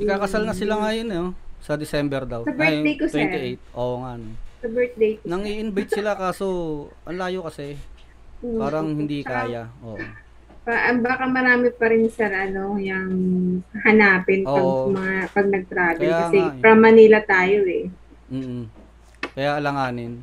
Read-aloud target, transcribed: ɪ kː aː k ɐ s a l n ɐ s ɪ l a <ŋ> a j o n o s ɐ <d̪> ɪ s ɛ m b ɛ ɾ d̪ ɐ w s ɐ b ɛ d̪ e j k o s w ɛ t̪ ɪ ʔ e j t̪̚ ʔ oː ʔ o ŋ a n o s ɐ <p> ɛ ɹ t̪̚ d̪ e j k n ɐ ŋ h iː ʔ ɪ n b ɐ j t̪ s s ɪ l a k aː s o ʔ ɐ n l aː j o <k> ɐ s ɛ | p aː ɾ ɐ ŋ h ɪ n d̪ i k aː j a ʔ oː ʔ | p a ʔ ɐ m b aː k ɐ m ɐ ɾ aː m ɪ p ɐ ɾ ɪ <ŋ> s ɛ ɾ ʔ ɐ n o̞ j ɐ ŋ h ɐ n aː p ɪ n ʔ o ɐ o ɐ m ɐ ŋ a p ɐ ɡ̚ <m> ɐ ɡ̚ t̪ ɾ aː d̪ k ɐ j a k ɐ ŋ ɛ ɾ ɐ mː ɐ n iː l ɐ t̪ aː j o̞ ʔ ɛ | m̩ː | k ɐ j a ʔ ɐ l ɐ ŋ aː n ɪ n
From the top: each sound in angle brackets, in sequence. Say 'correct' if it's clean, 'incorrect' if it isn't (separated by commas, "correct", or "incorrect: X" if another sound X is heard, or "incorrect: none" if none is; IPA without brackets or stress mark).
correct, correct, incorrect: b, correct, incorrect: n, incorrect: n